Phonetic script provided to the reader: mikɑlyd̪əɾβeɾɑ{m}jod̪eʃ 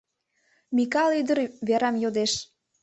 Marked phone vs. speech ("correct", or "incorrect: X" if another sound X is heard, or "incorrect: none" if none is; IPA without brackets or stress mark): correct